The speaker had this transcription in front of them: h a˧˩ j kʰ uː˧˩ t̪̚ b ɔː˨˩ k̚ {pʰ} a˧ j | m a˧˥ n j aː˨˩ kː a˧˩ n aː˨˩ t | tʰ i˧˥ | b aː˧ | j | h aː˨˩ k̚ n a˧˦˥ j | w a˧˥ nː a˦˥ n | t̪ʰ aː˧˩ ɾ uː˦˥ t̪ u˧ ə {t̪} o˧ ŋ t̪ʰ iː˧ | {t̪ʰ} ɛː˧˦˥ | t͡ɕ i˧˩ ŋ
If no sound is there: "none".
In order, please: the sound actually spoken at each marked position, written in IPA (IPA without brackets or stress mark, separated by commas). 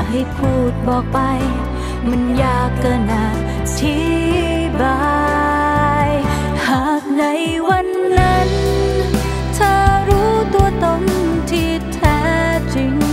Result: p, t̪, t̪ʰ